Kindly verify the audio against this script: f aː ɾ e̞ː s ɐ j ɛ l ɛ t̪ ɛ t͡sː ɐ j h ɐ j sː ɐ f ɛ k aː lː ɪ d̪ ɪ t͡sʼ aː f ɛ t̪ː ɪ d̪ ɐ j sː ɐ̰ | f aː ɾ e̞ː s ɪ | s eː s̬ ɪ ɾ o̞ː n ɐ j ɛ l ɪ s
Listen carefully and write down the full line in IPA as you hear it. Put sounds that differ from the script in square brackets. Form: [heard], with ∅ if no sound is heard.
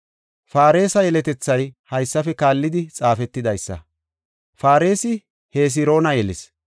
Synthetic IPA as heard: f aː ɾ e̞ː s ɐ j ɛ l ɛ t̪ ɛ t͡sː ɐ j h ɐ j sː ɐ f ɛ k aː lː ɪ d̪ ɪ t͡sʼ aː f ɛ t̪ː ɪ d̪ ɐ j sː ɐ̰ | f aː ɾ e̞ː s ɪ | [h] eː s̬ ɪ ɾ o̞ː n ɐ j ɛ l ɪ s